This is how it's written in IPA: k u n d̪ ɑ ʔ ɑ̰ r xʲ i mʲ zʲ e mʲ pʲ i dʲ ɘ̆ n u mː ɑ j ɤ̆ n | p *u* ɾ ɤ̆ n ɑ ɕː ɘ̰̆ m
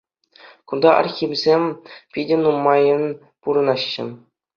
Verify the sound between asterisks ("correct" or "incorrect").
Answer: correct